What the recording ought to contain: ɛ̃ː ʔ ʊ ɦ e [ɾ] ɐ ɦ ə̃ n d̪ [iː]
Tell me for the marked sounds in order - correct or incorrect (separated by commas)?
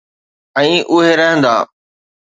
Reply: correct, incorrect